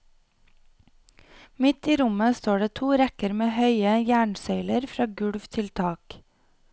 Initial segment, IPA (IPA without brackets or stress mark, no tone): m